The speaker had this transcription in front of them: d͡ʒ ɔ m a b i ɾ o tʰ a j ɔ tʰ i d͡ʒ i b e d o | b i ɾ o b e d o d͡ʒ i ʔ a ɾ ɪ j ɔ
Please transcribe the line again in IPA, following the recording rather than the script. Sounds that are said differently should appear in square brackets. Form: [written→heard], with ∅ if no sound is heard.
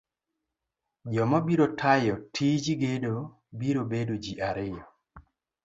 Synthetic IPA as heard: d͡ʒ ɔ m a b i ɾ o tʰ a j ɔ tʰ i d͡ʒ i [b→ɡ] e d o | b i ɾ o b e d o d͡ʒ i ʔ a ɾ ɪ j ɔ